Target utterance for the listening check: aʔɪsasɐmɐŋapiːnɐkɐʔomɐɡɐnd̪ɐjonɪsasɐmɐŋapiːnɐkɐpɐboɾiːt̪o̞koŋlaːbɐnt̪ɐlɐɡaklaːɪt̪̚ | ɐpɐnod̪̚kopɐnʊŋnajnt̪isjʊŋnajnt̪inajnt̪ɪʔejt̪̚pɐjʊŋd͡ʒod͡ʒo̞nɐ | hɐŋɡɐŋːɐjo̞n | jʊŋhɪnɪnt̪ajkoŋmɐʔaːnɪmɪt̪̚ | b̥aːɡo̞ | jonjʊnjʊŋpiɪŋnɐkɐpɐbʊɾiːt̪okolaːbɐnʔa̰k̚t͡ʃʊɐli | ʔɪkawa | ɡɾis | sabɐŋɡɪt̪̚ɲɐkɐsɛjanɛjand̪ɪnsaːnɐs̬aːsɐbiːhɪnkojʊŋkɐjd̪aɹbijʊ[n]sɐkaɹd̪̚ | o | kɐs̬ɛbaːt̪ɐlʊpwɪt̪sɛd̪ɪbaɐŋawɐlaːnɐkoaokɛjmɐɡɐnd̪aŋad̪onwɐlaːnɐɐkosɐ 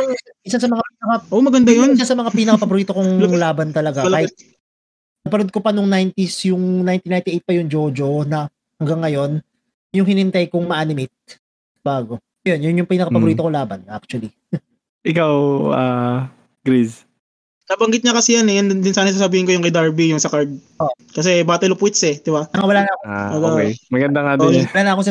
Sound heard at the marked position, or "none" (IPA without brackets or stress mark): ŋ